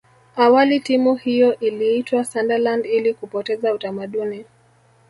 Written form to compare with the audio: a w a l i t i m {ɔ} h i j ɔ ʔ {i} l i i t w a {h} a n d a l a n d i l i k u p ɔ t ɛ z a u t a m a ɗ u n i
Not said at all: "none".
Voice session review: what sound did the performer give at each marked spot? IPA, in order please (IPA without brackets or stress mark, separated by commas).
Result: u, i, s